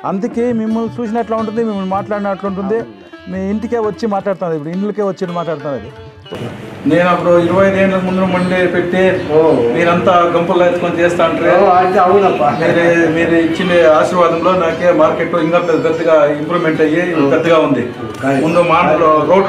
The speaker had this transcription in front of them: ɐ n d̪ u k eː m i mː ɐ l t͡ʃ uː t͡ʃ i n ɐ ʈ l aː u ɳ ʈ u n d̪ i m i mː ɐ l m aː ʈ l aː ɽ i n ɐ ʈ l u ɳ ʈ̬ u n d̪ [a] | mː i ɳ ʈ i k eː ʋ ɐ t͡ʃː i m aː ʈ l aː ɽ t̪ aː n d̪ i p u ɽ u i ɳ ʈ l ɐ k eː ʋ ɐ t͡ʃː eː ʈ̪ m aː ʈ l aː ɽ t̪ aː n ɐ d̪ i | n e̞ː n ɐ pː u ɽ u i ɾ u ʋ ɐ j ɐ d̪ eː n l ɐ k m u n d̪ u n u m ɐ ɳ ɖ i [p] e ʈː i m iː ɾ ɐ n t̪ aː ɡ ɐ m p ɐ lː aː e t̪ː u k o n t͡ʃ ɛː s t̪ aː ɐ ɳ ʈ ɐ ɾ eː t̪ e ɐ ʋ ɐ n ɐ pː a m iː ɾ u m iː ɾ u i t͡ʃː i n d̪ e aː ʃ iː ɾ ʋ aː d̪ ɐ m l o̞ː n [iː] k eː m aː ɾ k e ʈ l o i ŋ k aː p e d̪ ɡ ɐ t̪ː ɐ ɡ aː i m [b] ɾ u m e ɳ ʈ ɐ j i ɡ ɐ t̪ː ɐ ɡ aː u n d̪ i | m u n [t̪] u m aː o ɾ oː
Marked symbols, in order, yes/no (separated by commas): no, yes, no, no, no